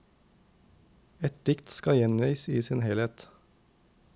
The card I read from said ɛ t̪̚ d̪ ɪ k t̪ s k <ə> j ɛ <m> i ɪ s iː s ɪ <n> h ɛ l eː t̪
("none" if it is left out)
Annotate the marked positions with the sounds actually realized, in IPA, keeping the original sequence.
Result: ɑ, n, n

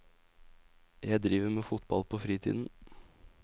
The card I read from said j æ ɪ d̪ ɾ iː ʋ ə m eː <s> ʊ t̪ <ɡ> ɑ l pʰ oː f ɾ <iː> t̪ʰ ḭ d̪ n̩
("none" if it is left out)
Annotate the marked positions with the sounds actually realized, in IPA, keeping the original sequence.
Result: f, b, iː

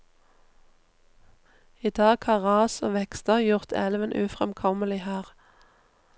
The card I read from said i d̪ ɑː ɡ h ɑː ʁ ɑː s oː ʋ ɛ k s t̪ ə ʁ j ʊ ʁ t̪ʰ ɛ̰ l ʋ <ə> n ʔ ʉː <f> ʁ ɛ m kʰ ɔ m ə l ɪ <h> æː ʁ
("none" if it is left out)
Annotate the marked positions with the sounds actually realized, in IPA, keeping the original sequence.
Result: ə, f, h

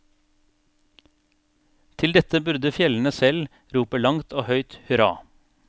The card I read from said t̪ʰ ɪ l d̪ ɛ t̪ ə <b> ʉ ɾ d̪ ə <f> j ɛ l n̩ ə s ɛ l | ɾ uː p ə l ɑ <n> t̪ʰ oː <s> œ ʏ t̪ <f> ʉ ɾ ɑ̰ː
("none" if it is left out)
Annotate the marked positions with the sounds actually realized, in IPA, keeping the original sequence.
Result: b, f, ŋ, h, h

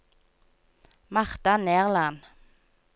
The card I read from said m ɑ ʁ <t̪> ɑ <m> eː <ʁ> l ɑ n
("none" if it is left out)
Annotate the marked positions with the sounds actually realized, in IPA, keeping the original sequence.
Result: t̪, n, ʁ

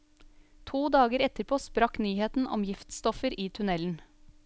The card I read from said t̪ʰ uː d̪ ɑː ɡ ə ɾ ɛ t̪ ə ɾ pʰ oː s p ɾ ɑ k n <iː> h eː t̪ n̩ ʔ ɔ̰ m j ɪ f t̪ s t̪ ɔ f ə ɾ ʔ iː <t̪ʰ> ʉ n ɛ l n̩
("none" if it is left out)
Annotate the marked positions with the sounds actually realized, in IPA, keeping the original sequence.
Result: yː, t̪ʰ

